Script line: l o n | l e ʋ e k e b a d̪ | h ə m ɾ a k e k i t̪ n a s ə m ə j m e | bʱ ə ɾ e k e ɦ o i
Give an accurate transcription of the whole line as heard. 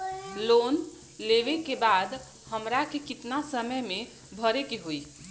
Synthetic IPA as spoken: l o n | l e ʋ e k e b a d̪ | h ə m ɾ a k e k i t̪ n a s ə m ə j m e | bʱ ə ɾ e k e ɦ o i